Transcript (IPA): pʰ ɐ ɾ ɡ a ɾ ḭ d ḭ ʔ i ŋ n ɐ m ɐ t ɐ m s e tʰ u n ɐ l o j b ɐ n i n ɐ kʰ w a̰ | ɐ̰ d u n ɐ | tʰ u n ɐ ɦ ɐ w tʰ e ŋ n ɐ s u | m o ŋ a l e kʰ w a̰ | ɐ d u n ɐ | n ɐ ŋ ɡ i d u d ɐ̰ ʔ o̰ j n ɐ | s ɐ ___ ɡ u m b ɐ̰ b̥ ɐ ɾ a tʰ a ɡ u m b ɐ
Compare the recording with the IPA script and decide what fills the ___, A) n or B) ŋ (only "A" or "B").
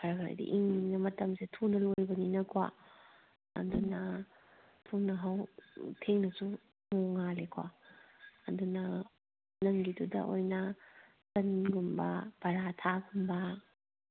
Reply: A